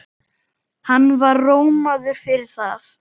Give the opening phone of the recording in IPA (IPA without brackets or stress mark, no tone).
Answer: h